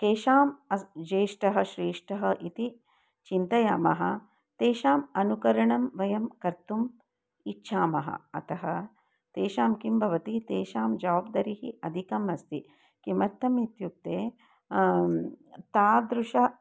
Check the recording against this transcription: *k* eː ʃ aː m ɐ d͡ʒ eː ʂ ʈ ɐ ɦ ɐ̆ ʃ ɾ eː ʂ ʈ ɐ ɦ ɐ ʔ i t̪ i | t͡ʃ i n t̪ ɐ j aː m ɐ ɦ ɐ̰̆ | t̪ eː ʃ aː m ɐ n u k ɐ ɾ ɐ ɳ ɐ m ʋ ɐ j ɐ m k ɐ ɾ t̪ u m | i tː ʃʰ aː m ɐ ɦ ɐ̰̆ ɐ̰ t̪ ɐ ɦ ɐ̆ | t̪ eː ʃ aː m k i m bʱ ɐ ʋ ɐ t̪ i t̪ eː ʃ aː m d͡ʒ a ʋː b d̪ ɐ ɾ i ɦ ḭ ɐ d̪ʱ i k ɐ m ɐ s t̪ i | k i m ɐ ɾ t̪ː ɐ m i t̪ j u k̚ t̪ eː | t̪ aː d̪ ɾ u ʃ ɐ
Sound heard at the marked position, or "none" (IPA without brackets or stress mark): k